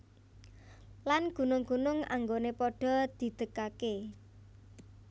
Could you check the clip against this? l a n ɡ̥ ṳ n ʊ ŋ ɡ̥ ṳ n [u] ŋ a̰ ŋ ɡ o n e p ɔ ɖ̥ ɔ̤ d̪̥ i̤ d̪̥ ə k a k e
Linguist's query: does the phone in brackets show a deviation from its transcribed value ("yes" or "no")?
yes